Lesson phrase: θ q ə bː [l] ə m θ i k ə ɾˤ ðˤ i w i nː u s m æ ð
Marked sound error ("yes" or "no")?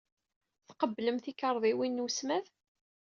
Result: no